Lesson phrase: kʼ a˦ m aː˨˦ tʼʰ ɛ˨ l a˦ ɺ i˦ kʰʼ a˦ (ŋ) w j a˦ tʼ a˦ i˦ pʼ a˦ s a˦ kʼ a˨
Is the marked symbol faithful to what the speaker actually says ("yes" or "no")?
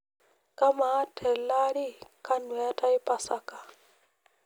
no